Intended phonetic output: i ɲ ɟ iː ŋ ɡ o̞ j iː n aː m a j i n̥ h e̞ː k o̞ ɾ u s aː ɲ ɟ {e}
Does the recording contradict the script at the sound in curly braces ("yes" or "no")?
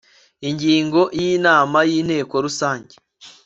no